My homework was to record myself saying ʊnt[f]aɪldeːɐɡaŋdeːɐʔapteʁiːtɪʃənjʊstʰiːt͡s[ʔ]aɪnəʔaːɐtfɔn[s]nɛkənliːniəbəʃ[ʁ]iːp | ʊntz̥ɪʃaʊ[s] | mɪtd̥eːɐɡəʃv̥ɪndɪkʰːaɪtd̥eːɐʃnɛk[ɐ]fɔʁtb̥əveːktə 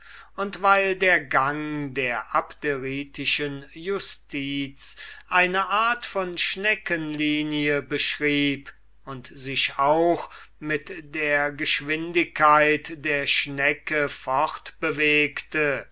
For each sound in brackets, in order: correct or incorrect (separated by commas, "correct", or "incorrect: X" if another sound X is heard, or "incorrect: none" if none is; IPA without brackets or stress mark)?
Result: incorrect: v, correct, incorrect: ʃ, correct, incorrect: x, incorrect: ə